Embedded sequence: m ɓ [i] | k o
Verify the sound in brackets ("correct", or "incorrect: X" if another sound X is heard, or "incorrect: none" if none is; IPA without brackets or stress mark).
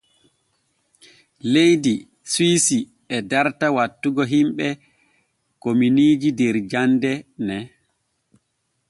incorrect: ɛ